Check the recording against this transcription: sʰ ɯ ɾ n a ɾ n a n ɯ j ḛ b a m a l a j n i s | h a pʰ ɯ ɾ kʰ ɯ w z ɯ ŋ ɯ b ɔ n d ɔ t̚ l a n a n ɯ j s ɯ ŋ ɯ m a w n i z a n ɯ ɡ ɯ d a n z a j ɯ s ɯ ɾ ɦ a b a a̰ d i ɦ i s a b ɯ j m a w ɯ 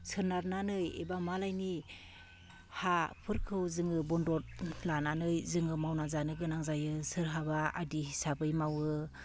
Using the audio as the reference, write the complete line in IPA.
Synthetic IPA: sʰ ɯ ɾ n a ɾ n a n ɯ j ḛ b a m a l a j n i | h a pʰ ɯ ɾ kʰ ɯ w z ɯ ŋ ɯ b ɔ n d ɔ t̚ l a n a n ɯ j z ɯ ŋ ɯ m a w n a z a n ɯ ɡ ɯ n a ŋ z a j ɯ s ɯ ɾ ɦ a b a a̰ d i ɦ i s a b ɯ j m a w ɯ